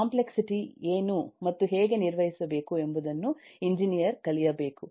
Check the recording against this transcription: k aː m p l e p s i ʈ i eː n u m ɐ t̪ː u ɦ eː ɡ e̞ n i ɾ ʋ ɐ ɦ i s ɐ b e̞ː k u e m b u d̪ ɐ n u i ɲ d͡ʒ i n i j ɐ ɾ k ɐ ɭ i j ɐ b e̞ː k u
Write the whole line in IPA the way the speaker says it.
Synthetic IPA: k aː m p l e k s i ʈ i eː n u m ɐ t̪ː u ɦ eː ɡ e̞ n i ɾ ʋ ɐ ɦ i s ɐ b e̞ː k u e m b u d̪ ɐ nː u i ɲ d͡ʒ i n i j ɐ ɾ k ɐ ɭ i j ɐ b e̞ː k u